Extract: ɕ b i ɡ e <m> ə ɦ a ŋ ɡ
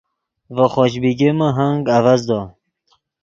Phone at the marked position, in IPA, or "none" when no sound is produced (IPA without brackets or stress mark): m